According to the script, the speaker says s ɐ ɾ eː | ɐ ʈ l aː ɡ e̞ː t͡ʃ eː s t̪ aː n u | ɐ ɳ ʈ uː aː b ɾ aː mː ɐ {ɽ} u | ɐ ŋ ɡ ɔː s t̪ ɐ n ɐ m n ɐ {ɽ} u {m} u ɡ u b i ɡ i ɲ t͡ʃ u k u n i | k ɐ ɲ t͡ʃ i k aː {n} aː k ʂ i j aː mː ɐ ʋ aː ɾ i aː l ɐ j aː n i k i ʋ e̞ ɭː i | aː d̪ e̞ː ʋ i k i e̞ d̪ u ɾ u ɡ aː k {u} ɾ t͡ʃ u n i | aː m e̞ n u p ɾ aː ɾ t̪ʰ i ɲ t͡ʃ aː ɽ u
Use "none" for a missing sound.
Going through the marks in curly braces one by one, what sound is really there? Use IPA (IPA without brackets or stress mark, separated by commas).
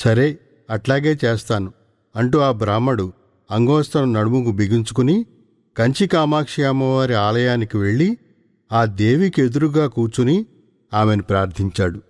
ɽ, ɽ, m, m, uː